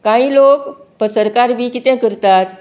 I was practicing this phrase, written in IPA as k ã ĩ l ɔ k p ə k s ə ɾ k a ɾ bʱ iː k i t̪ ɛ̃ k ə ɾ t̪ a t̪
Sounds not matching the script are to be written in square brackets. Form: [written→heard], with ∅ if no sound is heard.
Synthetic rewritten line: k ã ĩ l [ɔ→o] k p ə [k→∅] s ə ɾ k a ɾ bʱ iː k i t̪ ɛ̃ k ə ɾ t̪ a t̪